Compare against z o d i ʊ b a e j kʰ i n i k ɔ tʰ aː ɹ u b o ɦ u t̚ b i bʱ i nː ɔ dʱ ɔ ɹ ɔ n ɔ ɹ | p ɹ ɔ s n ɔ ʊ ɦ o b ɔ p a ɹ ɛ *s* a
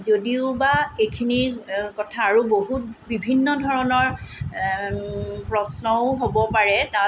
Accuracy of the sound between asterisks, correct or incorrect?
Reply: incorrect